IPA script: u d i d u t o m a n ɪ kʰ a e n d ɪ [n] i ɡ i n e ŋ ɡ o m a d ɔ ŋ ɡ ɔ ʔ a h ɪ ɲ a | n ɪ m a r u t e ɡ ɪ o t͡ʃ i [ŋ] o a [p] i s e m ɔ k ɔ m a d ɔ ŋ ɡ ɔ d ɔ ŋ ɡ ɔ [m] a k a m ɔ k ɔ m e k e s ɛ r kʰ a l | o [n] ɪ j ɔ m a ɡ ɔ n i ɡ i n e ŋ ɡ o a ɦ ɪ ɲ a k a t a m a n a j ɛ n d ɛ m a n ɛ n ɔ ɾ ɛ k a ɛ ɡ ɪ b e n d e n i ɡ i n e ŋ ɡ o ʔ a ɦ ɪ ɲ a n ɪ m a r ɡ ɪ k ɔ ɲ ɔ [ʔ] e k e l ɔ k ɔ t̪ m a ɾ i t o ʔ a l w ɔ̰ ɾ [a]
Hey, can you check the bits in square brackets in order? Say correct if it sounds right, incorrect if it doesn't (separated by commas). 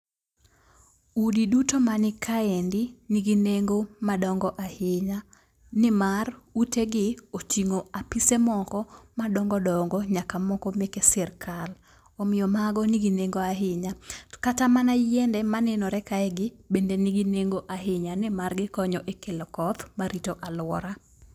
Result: correct, correct, correct, incorrect, incorrect, correct, correct